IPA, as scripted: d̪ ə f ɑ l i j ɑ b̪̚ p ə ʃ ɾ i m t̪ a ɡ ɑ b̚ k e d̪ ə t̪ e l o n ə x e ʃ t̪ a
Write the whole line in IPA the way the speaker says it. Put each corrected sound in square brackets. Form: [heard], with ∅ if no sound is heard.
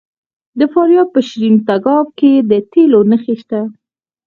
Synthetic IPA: d̪ ə f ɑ [ɾ] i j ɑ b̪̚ p ə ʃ ɾ i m t̪ a ɡ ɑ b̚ k e d̪ ə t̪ e l o n ə x e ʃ t̪ a

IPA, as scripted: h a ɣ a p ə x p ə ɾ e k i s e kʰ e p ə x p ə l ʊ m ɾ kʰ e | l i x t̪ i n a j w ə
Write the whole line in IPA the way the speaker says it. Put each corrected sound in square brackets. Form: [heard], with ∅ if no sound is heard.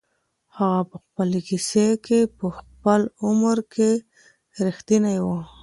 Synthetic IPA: h a ɣ a p ə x p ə [l] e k i s e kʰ e p ə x p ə l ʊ m ɾ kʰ e | [ɾ] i x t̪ i n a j w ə

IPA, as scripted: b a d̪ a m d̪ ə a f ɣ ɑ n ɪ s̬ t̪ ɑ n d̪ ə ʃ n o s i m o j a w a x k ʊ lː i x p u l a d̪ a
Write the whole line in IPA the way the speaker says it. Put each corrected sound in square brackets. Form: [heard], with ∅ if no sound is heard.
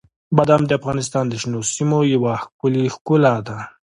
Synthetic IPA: b a d̪ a m d̪ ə a f ɣ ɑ n ɪ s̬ t̪ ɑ n d̪ ə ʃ n o s i m o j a w a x k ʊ [l] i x [k] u l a d̪ a

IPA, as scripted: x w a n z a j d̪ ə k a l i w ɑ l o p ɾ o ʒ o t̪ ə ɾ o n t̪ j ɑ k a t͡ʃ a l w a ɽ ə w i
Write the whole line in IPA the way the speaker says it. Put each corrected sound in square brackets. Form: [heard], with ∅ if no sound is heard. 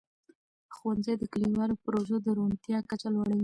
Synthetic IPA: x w a n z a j d̪ ə k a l i w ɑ l o p ɾ o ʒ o [d̪] ə ɾ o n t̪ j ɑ k a t͡ʃ a l w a ɽ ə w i

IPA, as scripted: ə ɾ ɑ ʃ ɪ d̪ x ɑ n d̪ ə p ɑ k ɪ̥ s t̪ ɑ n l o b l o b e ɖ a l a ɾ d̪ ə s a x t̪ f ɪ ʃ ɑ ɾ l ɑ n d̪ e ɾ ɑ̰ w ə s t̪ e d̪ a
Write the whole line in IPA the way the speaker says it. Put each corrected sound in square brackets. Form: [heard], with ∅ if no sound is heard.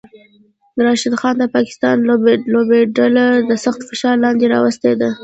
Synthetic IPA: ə ɾ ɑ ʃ ɪ d̪ x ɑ n d̪ ə p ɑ k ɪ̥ s t̪ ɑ n l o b l o b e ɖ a l a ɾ d̪ ə s a x t̪ f ɪ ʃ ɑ ɾ l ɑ n d̪ e ɾ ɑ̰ w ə s t̪ e d̪ a

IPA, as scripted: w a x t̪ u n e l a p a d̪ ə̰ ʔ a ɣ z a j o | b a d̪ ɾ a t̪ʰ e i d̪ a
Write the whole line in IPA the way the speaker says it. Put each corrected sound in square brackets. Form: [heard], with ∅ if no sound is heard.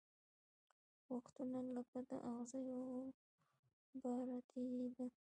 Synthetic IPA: w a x t̪ u n [a] l a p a d̪ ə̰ ʔ a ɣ z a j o | b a [∅] ɾ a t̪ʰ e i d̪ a

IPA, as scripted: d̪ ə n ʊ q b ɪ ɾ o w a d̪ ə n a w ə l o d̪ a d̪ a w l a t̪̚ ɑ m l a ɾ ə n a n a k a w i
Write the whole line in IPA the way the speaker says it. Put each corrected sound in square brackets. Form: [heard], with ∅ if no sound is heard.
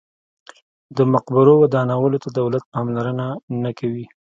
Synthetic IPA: d̪ ə [m] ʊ q b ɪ ɾ o w a d̪ [ɑ] n a w ə l o [t̪] a d̪ a w l a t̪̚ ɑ m l a ɾ ə n a n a k a w i

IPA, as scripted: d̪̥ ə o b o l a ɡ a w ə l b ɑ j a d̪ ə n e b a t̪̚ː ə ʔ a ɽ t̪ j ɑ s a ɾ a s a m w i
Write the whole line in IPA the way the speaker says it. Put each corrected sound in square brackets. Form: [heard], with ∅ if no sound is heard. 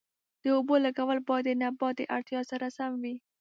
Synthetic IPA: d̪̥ ə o b o l a ɡ a w ə l b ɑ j a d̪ ə n [a] b [ɑ] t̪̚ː ə ʔ a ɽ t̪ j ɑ s a ɾ a s a m w i

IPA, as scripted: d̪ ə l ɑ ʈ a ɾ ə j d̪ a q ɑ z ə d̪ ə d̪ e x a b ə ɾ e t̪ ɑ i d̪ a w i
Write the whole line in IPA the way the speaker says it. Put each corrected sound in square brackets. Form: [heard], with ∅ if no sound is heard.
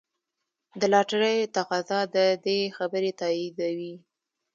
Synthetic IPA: d̪ ə l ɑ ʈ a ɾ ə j [t̪] a q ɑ z [ɑ] d̪ ə d̪ e x a b ə ɾ e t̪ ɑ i d̪ a w i

